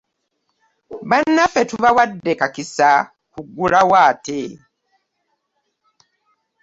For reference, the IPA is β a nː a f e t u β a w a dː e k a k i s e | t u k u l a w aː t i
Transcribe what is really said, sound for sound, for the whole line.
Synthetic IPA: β a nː a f e t u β a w a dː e k a k i s a | k u ɡ u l a w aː t e

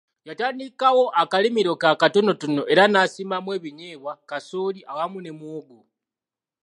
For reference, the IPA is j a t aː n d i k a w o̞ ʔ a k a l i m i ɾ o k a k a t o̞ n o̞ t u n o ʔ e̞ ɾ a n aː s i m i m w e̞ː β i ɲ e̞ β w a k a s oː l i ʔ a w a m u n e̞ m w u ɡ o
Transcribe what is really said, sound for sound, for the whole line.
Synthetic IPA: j a t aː n d i k a w o̞ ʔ a k a l i m i ɾ o k a k a t o̞ n o̞ t u n o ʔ e̞ ɾ a n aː s i m a m w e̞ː β i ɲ e̞ β w a k a s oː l i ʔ a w a m u n e̞ m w o ɡ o

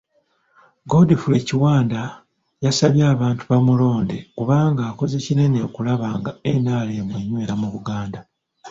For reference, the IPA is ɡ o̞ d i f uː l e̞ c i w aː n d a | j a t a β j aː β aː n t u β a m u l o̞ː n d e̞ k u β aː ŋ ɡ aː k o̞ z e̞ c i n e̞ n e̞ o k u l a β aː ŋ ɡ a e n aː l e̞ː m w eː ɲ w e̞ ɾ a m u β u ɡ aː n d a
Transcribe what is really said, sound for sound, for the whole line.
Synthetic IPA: ɡ o̞ d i f u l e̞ c i w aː n d a | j a s a β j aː β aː n t u β a m u l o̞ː n d e̞ k u β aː ŋ ɡ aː k o̞ z e̞ c i n e̞ n e̞ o k u l a β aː ŋ ɡ a e n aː l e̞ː m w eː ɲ w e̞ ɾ a m u β u ɡ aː n d a

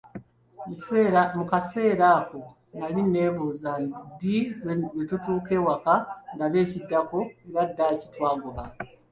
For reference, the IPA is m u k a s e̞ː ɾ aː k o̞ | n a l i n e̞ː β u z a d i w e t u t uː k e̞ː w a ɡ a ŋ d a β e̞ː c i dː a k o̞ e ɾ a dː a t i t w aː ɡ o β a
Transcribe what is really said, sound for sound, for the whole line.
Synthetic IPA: m u k a s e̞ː ɾ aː k o̞ | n a l i n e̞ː β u z a d i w e t u t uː k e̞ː w a k a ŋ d a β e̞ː c i dː a k o̞ e ɾ a dː a c i t w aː ɡ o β a

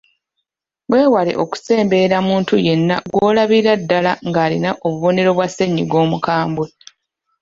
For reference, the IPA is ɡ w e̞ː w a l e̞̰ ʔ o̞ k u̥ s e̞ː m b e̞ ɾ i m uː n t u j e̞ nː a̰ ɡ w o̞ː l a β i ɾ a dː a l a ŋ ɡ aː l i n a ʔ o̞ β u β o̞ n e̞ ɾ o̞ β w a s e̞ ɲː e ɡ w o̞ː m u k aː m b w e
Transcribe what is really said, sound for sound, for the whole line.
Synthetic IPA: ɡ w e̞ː w a l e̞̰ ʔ o̞ k u̥ s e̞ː m b e̞ ɾ a m uː n t u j e̞ nː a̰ ɡ w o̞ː l a β i ɾ a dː a l a ŋ ɡ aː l i n a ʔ o̞ β u β o̞ n e̞ ɾ o̞ β w a s e̞ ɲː i ɡ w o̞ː m u k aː m b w e

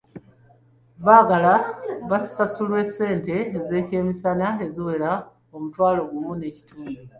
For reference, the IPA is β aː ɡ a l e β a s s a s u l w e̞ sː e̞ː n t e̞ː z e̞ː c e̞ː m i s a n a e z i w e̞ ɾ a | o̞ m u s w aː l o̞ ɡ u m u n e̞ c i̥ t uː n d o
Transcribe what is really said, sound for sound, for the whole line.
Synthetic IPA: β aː ɡ a l a β a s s a s u l w e̞ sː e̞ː n t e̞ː z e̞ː c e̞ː m i s a n a e z i w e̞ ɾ a | o̞ m u t w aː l o̞ ɡ u m u n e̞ c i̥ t uː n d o

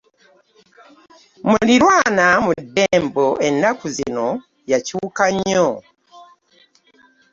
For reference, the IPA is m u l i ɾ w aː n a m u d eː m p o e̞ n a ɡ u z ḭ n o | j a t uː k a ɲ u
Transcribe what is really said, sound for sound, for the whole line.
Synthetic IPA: m u l i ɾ w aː n a m u d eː m b o e̞ n a k u z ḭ n o | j a c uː k a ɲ o

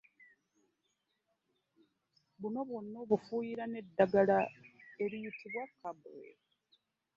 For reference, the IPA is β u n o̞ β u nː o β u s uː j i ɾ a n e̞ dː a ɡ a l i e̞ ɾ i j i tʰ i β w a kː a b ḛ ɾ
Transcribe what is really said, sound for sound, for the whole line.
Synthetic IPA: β u n o̞ β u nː o β u f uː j i ɾ a n e̞ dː a ɡ a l a e̞ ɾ i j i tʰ i β w a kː a b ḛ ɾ

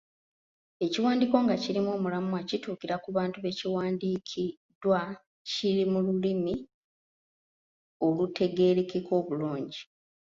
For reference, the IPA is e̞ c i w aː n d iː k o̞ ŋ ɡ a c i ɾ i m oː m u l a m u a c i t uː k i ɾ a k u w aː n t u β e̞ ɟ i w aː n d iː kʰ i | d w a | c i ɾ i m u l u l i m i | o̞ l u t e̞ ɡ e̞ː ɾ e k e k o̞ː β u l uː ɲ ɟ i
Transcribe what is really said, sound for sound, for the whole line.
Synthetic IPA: e̞ c i w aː n d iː k o̞ ŋ ɡ a c i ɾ i m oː m u l a m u a c i t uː k i ɾ a k u β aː n t u β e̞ c i w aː n d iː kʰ i | d w a | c i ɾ i m u l u l i m i | o̞ l u t e̞ ɡ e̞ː ɾ e k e k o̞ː β u l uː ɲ ɟ i

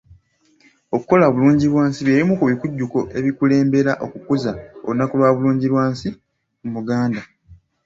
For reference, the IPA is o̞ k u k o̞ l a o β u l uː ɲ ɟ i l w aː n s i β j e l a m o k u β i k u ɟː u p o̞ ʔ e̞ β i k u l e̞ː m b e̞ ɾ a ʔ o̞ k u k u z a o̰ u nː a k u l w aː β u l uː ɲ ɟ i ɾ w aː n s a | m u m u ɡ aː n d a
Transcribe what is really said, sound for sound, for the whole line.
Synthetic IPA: o̞ k u k o̞ l a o β u l uː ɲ ɟ i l w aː n s i β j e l i m u k u β i k u ɟː u k o̞ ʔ e̞ β i k u l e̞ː m b e̞ ɾ a ʔ o̞ k u k u z a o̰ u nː a k u l w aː β u l uː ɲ ɟ i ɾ w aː n s i | m u m u ɡ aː n d a

